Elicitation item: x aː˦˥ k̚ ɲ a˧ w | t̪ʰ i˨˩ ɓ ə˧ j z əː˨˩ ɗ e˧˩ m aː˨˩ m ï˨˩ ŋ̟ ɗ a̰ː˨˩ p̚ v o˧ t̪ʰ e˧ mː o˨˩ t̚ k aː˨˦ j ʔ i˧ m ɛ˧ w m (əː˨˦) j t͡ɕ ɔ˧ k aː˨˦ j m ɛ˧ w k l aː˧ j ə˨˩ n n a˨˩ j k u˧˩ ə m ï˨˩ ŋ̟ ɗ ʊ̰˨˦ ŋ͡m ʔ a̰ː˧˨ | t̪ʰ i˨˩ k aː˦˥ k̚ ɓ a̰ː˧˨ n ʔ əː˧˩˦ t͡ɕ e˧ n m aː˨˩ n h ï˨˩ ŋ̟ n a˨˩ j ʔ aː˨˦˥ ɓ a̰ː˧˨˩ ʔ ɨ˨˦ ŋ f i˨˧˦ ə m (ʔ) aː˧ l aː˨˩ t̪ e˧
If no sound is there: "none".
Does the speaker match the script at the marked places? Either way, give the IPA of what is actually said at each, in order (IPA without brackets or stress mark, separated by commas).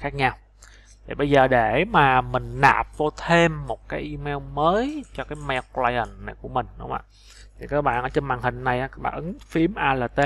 əː˨˦, ʔ